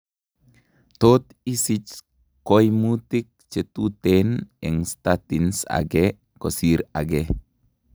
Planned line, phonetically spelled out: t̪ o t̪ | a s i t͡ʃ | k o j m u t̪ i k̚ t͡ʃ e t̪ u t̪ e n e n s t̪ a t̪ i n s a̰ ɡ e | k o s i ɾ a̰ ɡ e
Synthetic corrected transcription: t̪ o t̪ | i s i t͡ʃ | k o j m u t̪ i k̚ t͡ʃ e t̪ u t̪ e n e ŋ s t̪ a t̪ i n s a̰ ɡ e | k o s i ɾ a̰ ɡ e